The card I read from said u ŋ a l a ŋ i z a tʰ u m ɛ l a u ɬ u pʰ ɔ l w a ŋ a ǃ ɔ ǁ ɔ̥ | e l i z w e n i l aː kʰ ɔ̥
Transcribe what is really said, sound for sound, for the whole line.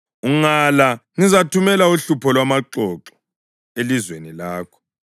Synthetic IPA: u ŋ a l a ŋ i z a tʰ u m ɛ l a u ɬ u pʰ ɔ l w a m a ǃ ɔ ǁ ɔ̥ | e l i z w e n i l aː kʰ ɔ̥